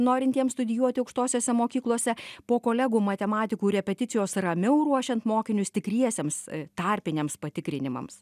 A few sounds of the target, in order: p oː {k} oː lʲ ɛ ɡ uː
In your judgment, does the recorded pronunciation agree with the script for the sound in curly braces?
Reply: yes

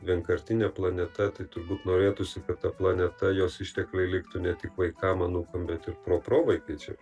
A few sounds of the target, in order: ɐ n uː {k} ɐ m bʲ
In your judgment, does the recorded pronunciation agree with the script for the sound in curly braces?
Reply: yes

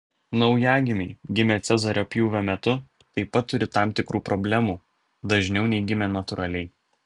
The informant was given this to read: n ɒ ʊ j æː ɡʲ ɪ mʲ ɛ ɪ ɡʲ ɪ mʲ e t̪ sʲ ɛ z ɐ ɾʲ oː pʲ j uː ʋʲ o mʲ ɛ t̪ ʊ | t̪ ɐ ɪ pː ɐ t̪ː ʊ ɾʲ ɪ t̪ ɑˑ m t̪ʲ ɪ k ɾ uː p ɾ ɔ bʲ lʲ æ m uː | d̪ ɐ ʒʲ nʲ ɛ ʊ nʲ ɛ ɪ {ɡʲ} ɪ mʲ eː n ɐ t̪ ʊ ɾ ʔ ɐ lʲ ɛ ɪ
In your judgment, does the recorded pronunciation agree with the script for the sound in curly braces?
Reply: yes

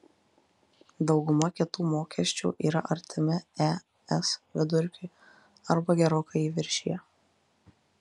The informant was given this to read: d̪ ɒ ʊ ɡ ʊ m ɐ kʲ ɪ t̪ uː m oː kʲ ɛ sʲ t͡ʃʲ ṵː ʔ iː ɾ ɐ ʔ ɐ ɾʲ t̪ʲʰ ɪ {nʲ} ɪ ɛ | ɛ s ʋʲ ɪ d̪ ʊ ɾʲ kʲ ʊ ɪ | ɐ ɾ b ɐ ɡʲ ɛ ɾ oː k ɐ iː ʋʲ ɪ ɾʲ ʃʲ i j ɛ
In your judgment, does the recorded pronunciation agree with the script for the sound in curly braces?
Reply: no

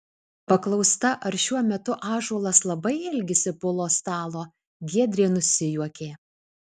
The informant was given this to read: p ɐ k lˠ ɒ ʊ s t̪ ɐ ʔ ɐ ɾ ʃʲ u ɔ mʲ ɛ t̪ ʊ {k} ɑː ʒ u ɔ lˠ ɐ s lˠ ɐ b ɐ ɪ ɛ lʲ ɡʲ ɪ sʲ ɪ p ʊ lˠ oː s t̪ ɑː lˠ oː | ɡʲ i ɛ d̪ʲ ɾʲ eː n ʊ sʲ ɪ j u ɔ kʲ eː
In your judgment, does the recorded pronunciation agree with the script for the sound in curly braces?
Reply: no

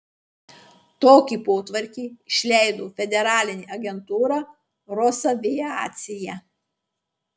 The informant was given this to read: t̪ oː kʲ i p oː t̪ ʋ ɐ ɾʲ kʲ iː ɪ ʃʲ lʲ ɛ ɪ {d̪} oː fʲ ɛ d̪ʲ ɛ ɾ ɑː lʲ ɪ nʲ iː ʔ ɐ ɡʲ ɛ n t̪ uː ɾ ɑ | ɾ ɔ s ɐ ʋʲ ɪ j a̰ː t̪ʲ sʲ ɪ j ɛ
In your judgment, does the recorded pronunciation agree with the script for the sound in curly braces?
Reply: yes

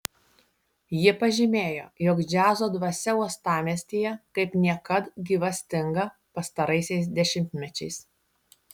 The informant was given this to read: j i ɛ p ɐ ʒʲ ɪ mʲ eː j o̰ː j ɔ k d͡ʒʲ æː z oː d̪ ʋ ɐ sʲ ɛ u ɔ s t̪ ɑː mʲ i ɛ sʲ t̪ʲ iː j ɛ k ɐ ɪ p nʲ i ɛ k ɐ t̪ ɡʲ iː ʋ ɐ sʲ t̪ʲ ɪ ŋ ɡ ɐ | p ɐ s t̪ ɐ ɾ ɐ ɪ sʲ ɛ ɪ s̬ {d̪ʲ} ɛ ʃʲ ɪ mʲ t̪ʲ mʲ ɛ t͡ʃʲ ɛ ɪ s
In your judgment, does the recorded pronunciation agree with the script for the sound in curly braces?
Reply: yes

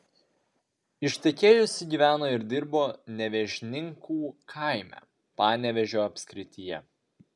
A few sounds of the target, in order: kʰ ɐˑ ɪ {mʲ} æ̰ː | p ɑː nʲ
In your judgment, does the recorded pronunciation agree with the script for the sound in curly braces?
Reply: yes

